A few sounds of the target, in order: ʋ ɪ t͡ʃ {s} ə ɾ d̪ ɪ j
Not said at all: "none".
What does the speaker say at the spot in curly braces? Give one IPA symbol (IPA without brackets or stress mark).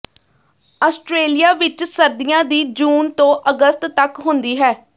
s